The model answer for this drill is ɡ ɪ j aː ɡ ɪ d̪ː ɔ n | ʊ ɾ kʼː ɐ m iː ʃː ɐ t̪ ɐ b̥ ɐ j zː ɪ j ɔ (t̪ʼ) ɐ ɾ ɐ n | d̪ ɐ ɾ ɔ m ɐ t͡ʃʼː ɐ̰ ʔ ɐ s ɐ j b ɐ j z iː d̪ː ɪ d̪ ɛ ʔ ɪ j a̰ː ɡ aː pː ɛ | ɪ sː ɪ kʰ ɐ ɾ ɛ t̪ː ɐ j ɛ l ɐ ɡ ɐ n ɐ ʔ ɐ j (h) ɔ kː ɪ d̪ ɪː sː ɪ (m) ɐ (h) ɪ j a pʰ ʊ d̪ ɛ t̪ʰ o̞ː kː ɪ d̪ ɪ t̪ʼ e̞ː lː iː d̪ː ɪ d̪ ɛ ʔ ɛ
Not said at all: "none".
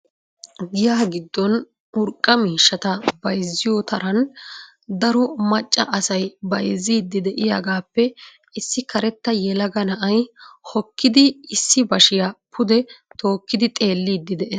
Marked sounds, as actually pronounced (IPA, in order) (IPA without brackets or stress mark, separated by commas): t̪, h, b, ʃ